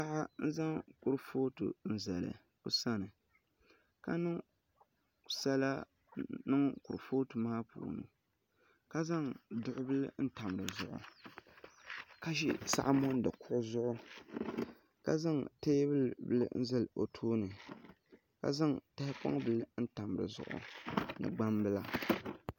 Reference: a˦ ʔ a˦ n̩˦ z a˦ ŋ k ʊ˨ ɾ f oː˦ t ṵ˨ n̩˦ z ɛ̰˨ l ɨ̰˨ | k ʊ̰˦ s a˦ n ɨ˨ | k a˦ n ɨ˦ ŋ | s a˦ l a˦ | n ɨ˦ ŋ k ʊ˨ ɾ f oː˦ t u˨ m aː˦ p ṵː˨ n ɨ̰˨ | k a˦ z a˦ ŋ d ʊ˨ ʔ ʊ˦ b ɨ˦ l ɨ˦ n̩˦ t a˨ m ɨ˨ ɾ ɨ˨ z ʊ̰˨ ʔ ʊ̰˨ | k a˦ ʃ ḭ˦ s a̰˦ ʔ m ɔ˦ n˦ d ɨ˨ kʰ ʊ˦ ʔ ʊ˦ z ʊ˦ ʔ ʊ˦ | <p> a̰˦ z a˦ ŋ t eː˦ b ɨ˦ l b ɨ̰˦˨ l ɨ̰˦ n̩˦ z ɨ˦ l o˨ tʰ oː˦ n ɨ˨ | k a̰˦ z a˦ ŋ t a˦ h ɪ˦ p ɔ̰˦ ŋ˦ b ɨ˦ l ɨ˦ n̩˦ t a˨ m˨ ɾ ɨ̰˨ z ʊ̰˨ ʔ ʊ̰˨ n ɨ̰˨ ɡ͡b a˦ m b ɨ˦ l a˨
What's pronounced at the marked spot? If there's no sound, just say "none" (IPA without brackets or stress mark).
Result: k